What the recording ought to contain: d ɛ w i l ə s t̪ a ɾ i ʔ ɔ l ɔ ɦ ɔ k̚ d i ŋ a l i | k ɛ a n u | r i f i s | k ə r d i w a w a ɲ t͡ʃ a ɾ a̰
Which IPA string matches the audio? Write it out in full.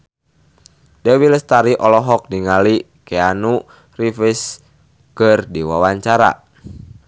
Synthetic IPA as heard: d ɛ w i l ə s t̪ a ɾ i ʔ ɔ l ɔ ɦ ɔ k̚ d i ŋ a l i | k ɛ a n u | r i f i s | k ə r d i w a w a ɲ t͡ʃ a ɾ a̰